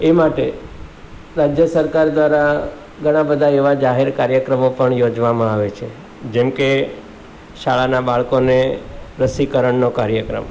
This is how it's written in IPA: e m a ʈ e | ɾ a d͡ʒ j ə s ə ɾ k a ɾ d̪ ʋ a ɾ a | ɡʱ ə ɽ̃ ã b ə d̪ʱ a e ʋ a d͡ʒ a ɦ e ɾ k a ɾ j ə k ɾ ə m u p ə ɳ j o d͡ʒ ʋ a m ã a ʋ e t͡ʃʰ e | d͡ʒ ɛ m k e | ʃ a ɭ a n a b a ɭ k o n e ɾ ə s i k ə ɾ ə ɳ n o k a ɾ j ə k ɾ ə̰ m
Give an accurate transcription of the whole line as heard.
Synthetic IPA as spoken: e m a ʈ e | ɾ a d͡ʒ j ə s ə ɾ k a ɾ d̪ ʋ a ɾ a | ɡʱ ə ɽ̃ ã b ə d̪ʱ a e ʋ a d͡ʒ a ɦ e ɾ k a ɾ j ə k ɾ ə m o p ə ɳ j o d͡ʒ ʋ a m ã a ʋ e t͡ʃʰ e | d͡ʒ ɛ m k e | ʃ a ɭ a n a b a ɭ k o n e ɾ ə s i k ə ɾ ə ɳ n o k a ɾ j ə k ɾ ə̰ m

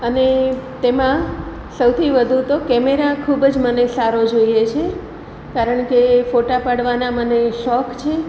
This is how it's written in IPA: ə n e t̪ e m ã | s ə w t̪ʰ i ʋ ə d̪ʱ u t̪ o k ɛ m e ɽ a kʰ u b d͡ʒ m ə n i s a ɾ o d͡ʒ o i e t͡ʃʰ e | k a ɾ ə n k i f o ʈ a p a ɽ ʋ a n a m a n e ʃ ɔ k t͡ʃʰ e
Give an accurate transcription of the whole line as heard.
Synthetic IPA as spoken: ə n e t̪ e m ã | s ə w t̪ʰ i ʋ ə d̪ʱ u t̪ o k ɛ m e ɾ a kʰ u b d͡ʒ m ə n e s a ɾ o d͡ʒ o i e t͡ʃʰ e | k a ɾ ə ɳ k e f o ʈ a p a ɽ ʋ a n a m ə n e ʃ ɔ k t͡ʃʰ e

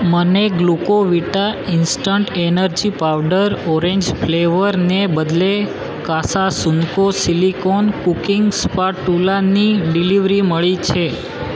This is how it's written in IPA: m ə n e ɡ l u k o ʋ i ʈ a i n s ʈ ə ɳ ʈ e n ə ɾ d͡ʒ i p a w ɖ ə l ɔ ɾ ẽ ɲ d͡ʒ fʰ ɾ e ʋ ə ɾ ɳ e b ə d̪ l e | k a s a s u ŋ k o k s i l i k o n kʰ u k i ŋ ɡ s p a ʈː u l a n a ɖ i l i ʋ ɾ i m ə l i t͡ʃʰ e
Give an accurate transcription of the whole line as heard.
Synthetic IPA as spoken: m ə n e ɡ l u k o ʋ i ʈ a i n s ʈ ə ɳ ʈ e n ə ɾ d͡ʒ i p a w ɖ ə ɾ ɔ ɾ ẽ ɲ d͡ʒ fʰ l e ʋ ə ɾ n e b ə d̪ l e | k a s a s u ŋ k o s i l i k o n k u k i ŋ ɡ s p a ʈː u l a n i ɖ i l i ʋ ɾ i m ə ɭ i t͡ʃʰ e

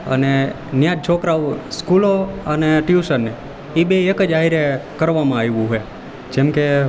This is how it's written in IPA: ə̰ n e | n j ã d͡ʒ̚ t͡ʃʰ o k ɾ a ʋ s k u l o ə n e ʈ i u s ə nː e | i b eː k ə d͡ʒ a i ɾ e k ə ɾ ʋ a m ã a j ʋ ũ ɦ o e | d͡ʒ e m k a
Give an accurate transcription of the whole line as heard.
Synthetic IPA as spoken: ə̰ n e | n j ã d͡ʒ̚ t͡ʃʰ o k ɾ a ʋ s k u l o ə n e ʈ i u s ə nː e | i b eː k ə d͡ʒ a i ɾ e k ə ɾ ʋ a m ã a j ʋ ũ ɦ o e | d͡ʒ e m k e

